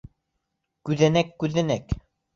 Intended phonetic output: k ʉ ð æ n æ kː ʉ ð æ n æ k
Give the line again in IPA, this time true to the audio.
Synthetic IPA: k ʉ ð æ n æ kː ʉ ð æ n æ k

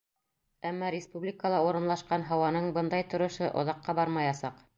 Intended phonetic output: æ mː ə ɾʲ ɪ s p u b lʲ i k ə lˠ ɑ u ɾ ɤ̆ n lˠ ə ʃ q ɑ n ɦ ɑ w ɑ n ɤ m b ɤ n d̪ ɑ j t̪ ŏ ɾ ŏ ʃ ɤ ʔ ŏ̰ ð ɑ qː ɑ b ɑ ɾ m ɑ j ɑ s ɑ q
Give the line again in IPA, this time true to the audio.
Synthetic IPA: æ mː ɑ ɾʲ ɪ s p u b lʲ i k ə lˠ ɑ u ɾ ɤ̆ n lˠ ɑ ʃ q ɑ n ɦ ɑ w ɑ n ɤ ɴ b ɤ n d̪ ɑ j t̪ ŏ ɾ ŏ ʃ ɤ ʔ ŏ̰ ð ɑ qː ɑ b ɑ ɾ m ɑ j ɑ s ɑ q

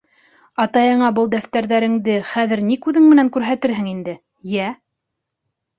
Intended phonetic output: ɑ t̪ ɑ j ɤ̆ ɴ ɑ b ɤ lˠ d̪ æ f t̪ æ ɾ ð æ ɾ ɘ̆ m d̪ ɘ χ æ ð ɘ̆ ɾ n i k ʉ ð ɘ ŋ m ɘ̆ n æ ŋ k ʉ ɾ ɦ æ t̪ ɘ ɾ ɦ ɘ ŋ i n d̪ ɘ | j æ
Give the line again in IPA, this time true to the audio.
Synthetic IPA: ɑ t̪ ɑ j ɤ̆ ɴ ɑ b ɤ lˠ d̪ æ f t̪ æ ɾ ð æ ɾ ɘ̆ ŋ d̪ ɘ χ æ ð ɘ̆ ɾ n i k ʉ ð ɘ ŋ m ɘ̆ n æ ŋ k ʉ ɾ ɦ æ t̪ ɘ ɾ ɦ ɘ ŋ i n d̪ ɘ | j æ

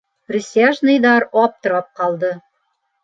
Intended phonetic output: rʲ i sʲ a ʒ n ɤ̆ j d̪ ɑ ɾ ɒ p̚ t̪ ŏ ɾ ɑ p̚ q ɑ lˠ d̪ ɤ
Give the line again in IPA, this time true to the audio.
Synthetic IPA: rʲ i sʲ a ʒ n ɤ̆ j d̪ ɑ ɾ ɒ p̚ t̪ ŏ ɾ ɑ p̚ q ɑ lˠ d̪ ɤ

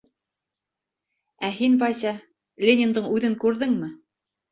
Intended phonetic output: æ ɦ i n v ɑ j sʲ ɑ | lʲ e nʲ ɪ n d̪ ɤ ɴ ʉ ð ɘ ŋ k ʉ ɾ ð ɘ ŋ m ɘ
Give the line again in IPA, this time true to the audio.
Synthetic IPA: æ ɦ i n v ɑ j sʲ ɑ | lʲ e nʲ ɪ n d̪ ɤ ɴ ʉ ð ɘ ŋ k ʉ ɾ ð ɘ ŋ m ɘ

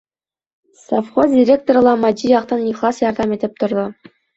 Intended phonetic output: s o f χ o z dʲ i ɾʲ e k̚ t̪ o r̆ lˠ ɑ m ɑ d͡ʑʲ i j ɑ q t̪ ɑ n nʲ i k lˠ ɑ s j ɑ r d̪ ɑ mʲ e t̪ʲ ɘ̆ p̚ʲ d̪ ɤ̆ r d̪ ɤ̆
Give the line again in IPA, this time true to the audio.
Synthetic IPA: s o f χ o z dʲ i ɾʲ e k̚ t̪ o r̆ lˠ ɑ m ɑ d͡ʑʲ i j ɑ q t̪ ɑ n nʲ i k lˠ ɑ s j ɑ r d̪ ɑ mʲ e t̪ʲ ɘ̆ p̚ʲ t̪ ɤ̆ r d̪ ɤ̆

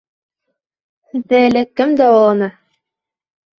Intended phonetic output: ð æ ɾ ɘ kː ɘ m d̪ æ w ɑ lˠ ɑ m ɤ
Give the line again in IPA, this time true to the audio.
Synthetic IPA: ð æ l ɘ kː ɘ m d̪ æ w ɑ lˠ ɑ n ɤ

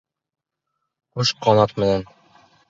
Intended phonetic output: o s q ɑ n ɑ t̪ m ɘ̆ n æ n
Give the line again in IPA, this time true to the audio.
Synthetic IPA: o ʃ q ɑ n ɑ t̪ m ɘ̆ n æ n

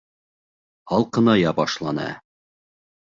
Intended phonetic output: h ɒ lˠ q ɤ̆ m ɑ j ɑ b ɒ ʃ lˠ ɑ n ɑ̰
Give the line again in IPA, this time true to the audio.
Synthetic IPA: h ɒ lˠ q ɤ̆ n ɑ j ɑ b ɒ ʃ lˠ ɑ n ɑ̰

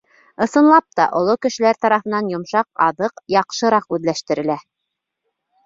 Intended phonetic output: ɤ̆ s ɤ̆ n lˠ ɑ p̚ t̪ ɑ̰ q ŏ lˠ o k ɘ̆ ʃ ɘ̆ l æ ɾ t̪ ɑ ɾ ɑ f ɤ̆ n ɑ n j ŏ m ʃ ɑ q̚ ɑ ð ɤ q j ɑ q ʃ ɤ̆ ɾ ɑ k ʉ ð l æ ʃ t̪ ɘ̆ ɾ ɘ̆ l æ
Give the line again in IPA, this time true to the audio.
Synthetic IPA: ɤ̆ s ɤ̆ n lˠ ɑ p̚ t̪ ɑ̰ ʔ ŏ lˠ o k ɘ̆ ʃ ɘ̆ l æ ɾ t̪ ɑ ɾ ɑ f ɤ̆ n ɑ n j ŏ m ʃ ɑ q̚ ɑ ð ɤ q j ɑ q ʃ ɤ̆ ɾ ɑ q ʉ ð l æ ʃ t̪ ɘ̆ ɾ ɘ̆ l æ

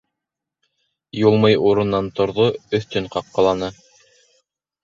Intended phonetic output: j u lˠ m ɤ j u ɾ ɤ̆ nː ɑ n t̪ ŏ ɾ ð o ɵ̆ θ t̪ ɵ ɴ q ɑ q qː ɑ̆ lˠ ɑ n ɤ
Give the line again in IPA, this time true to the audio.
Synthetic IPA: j u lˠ m ɤ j u ɾ ɤ̆ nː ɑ n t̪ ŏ ɾ ð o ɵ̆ θ t̪ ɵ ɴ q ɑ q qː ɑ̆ lˠ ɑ n ɤ

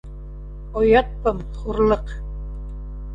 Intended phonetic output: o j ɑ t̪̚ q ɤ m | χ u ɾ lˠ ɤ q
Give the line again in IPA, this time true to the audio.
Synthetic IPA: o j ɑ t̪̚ p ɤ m | χ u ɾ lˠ ɤ q

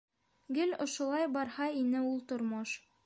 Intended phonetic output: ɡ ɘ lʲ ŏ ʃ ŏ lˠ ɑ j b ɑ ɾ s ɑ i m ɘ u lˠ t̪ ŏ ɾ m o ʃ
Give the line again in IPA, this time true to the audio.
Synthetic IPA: ɡ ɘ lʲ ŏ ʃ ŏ lˠ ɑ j b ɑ ɾ h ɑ i n ɘ u lˠ t̪ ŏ ɾ m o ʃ

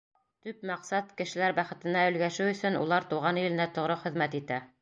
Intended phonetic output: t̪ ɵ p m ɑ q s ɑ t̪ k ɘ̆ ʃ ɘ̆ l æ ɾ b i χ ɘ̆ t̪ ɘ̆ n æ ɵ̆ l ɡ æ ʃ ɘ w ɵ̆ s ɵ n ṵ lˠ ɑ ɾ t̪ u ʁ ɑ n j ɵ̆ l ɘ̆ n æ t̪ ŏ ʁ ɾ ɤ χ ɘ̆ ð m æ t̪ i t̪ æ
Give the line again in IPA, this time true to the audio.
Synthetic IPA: t̪ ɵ p m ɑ q s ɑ t̪ k ɘ̆ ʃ ɘ̆ l æ ɾ b æ χ ɘ̆ t̪ ɘ̆ n æ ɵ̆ l ɡ æ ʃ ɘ w ɵ̆ s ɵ n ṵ lˠ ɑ ɾ t̪ u ʁ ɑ n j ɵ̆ l ɘ̆ n æ t̪ ŏ ʁ ɾ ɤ χ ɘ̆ ð m æ t̪ i t̪ æ

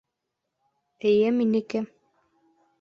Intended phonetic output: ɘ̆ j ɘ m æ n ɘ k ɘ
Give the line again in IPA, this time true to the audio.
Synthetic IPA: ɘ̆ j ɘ m i n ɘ k ɘ

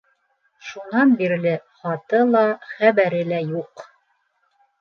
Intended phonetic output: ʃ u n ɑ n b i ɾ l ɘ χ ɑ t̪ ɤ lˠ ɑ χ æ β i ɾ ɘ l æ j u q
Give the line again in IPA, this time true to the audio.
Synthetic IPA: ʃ u n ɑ n b i ɾ l ɘ χ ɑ t̪ ɤ lˠ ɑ χ æ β æ ɾ ɘ l æ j u q

